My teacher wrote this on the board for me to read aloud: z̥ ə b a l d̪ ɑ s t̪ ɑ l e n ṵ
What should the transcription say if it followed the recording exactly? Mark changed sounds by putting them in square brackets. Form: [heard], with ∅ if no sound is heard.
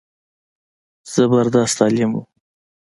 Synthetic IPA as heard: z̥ ə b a [ɾ] d̪ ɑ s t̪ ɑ l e [m] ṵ